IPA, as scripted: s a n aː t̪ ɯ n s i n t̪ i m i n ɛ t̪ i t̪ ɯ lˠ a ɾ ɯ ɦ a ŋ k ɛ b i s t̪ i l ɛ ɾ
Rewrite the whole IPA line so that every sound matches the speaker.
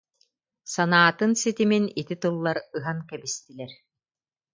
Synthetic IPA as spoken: s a n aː t̪ ɯ n s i t̪ i m i n i t̪ i t̪ ɯ lˠː a ɾ ɯ ɦ a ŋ k ɛ b i s t̪ i l ɛ ɾ